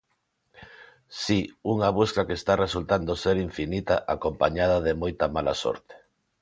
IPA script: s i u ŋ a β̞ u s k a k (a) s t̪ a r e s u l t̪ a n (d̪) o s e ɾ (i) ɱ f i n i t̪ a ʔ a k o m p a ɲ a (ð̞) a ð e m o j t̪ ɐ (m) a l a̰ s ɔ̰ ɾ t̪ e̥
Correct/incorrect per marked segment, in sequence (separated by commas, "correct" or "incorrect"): incorrect, correct, correct, correct, correct